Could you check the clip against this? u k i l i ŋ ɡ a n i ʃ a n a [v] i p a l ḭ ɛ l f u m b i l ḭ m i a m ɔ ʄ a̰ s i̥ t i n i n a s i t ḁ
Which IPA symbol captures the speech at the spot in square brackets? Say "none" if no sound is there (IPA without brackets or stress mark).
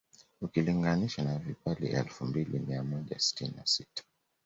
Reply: v